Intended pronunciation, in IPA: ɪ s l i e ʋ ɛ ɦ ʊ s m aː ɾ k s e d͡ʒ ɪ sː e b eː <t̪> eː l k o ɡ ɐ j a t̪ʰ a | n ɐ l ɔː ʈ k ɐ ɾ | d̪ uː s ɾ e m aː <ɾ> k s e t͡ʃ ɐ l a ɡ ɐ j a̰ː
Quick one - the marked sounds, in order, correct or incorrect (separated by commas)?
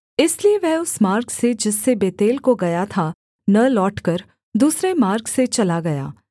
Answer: correct, correct